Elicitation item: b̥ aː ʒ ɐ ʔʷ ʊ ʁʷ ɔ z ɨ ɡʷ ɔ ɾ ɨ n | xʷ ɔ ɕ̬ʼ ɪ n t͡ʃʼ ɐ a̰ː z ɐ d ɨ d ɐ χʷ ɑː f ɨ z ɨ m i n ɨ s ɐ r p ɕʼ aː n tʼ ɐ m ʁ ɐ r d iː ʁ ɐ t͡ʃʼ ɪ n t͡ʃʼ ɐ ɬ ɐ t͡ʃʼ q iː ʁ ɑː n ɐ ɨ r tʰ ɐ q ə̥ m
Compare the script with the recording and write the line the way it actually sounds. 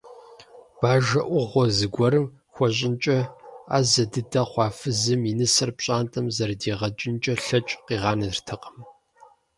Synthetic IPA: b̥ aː ʒ ɐ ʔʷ ʊ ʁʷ ɔ z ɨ ɡʷ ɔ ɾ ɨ m | xʷ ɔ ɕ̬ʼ ɪ n t͡ʃʼ ɐ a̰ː z ɐ d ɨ d ɐ χʷ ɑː f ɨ z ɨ m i n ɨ s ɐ r p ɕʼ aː n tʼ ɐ m z ɐ r d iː ʁ ɐ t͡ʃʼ ɪ n t͡ʃʼ ɐ ɬ ɐ t͡ʃʼ q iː ʁ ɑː n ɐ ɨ r tʰ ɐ q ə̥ m

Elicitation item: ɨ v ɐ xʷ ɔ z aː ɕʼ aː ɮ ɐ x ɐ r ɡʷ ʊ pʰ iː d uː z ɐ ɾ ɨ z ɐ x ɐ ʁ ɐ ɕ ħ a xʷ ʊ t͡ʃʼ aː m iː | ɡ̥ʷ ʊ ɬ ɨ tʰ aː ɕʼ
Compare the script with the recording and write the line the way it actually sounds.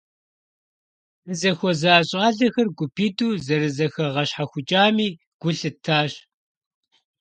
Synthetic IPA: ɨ z ɐ xʷ ɔ z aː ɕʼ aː ɮ ɐ x ɐ r ɡʷ ʊ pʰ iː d uː z ɐ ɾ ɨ z ɐ x ɐ ʁ ɐ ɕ ħ a xʷ ʊ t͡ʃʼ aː m iː | ɡ̥ʷ ʊ ɬ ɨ tʰ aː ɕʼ

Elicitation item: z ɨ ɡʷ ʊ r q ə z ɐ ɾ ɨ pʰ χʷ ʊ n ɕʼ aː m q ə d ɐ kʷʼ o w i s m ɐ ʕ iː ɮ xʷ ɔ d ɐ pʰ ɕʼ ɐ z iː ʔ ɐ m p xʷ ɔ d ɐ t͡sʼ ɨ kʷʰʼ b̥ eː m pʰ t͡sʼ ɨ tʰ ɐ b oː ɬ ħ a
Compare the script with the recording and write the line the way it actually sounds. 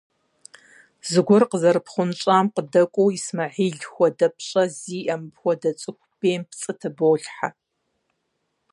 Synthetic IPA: z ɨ ɡʷ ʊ r q ə z ɐ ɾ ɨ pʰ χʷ ʊ n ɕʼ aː m q ə d ɐ kʷʼ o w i s m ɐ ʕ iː ɮ xʷ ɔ d ɐ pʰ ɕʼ ɐ z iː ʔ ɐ m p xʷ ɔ d ɐ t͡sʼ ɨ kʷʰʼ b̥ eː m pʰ t͡sʼ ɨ tʰ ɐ b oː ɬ ħ a

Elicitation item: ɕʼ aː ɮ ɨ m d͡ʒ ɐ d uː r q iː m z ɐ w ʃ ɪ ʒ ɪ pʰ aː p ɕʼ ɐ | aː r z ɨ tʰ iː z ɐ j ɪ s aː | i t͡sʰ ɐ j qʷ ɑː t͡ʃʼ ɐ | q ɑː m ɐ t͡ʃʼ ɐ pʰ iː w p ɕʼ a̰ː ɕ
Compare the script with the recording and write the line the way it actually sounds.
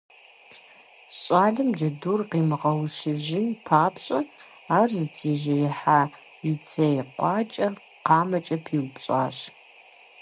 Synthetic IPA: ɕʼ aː ɮ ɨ m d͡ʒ ɐ d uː r q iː m ʁ ɐ w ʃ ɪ ʒ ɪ pʰ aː p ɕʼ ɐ | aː r z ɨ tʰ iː ʒ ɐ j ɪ ħ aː | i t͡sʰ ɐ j qʷ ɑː t͡ʃʼ ɐ | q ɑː m ɐ t͡ʃʼ ɐ pʰ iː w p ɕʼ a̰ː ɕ

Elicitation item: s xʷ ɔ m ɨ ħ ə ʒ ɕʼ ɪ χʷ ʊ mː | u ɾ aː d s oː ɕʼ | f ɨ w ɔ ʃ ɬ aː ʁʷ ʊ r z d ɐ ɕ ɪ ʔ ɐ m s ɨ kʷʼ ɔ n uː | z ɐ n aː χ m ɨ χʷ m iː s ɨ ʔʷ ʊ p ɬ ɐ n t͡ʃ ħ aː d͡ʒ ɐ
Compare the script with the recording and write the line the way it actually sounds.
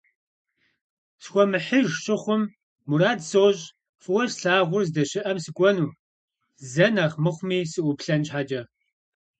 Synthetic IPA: s xʷ ɔ m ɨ ħ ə ʒ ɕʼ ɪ χʷ ʊ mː | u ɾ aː d s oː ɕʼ | f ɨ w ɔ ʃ ɬ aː ʁʷ ʊ r z d ɐ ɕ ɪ ʔ ɐ m s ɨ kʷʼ ɔ n uː | z ɐ n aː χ m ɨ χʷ m iː s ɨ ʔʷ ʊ p ɬ ɐ n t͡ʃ ħ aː d͡ʒ ɐ

